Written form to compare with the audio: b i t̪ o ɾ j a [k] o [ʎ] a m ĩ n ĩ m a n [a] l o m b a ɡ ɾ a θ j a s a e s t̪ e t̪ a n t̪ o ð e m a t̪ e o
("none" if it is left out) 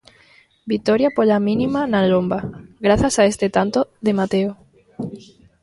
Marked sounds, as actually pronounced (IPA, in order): p, ʎ, a

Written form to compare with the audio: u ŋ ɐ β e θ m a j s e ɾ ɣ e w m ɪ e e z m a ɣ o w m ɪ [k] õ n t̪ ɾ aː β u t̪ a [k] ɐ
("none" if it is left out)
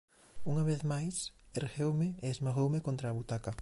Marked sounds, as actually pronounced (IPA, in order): k, k

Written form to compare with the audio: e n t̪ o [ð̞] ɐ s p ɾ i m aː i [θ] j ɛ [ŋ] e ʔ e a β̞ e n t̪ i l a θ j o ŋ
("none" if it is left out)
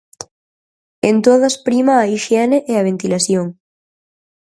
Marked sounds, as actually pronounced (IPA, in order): ð̞, ʃ, n

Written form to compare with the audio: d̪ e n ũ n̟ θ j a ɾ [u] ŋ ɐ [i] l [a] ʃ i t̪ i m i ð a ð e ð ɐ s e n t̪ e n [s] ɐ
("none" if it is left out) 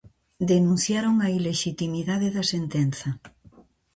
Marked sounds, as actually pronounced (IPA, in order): o, i, e, θ

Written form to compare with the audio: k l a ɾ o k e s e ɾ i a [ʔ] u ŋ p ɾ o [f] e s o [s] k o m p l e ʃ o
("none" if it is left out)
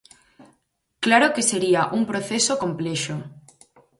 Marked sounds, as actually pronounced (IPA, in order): ʔ, θ, none

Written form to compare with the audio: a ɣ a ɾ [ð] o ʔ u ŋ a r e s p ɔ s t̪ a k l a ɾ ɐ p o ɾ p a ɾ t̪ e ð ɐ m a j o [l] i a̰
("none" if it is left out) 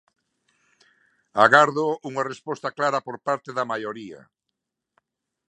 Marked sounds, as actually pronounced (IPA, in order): ð, ɾ

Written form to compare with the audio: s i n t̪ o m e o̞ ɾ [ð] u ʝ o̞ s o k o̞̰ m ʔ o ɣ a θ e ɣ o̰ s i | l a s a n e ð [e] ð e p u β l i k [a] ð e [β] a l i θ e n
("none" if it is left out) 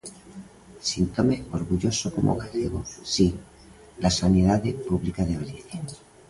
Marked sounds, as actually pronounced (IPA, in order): ɣ, a, a, β

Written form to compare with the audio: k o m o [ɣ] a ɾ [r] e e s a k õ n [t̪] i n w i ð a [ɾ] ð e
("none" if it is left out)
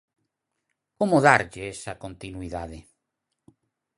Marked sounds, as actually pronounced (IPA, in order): ð, ʎ, t̪, none

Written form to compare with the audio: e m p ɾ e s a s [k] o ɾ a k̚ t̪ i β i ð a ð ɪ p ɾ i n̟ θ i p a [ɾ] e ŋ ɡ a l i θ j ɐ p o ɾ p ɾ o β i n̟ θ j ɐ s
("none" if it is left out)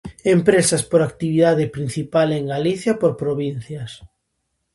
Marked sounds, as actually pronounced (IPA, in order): p, l

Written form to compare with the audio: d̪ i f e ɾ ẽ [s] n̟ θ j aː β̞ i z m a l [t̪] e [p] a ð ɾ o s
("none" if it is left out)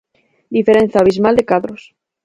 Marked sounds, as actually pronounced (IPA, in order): none, d̪, k

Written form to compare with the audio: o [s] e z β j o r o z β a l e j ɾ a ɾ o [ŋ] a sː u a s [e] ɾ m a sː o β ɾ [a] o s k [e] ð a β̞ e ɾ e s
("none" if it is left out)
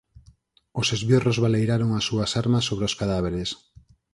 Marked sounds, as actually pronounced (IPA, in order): s, ŋ, a, e, a

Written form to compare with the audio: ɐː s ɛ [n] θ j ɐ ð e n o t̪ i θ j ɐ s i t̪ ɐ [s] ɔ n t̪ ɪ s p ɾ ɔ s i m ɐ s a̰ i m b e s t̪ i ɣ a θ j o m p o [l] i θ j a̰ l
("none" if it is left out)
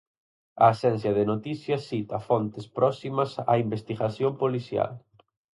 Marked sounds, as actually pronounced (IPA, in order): n, f, l

